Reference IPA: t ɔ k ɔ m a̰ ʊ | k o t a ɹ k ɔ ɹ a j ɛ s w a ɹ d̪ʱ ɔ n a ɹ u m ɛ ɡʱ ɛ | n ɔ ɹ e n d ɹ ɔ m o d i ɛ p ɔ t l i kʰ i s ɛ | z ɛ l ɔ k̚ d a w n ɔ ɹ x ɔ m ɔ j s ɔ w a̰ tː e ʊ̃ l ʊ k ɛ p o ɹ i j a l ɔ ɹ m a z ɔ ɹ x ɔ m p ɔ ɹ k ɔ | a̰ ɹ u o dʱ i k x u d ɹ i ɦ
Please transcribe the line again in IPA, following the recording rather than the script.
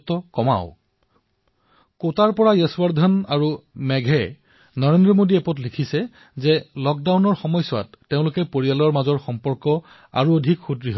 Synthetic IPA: t ɔ k ɔ m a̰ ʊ | k o t a ɹ p ɔ ɹ a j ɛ s w a ɹ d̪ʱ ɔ n a ɹ u m ɛ ɡʱ ɛ | n ɔ ɹ e n d ɹ ɔ m o d i ɛ p ɔ t l i kʰ i s ɛ | z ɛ l ɔ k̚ d a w n ɔ ɹ x ɔ m ɔ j s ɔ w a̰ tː e ʊ̃ l ʊ k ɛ p o ɹ i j a l ɔ ɹ m a z ɔ ɹ x ɔ m p ɔ ɹ k ɔ | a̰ ɹ u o dʱ i k x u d ɹ i ɦ